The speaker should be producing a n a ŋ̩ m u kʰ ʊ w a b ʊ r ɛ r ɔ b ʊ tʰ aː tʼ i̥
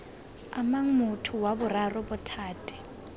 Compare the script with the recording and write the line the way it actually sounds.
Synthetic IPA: a m a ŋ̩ m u tʰ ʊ w a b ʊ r a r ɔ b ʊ tʰ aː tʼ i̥